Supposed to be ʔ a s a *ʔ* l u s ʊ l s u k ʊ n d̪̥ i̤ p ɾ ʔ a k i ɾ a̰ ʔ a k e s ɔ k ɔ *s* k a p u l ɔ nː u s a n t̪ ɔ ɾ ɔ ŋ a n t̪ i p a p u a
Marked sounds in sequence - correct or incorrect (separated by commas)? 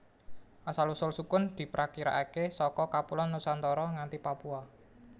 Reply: incorrect, incorrect